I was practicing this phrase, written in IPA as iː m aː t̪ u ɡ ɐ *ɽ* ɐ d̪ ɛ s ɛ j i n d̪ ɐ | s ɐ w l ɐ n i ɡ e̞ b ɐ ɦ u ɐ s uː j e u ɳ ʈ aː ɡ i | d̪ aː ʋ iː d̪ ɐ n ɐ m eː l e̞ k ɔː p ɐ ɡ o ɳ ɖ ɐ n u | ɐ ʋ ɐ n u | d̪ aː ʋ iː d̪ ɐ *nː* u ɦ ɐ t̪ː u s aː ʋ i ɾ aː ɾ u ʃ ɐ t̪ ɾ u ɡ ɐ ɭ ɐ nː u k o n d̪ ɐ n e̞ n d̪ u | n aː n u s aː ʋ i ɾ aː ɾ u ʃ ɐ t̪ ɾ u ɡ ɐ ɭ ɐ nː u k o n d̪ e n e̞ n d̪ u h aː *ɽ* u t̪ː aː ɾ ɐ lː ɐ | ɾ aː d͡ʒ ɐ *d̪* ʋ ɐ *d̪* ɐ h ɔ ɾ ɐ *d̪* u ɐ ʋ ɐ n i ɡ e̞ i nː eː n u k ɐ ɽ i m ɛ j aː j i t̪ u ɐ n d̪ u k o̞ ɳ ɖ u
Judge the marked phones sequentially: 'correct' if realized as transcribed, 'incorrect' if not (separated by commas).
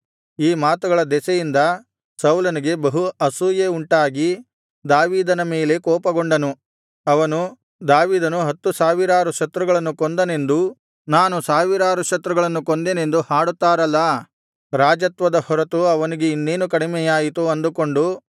incorrect, incorrect, correct, incorrect, correct, incorrect